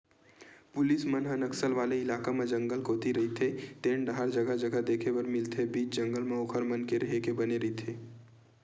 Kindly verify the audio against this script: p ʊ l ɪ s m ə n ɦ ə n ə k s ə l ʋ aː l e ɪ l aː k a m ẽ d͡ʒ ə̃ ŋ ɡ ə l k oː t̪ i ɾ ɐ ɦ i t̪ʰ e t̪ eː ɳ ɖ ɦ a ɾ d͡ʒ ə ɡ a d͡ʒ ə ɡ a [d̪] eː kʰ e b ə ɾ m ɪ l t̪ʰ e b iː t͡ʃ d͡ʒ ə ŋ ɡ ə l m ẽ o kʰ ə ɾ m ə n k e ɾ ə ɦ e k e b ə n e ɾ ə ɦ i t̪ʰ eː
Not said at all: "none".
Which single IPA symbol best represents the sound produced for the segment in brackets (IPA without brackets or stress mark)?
d̪